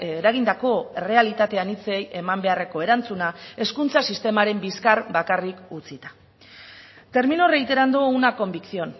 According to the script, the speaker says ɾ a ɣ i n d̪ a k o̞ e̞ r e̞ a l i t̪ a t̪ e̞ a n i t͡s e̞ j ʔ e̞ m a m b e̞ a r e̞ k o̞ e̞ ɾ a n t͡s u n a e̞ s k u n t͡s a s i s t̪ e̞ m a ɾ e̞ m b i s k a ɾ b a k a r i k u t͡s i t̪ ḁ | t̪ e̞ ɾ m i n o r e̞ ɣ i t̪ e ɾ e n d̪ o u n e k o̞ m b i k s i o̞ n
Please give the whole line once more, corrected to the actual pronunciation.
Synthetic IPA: ɾ a ɣ i n d̪ a k o̞ e̞ r e̞ a l i t̪ a t̪ e̞ a n i t͡s e̞ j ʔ e̞ m a m b e̞ a r e̞ k o̞ e̞ ɾ a n t͡s u n a e̞ s k u n t͡s a s i s t̪ e̞ m a ɾ e̞ m b i s k a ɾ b a k a r i k u t͡s i t̪ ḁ | t̪ e̞ ɾ m i n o r e̞ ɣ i t̪ e ɾ a n d̪ o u n a k o̞ m b i k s i o̞ n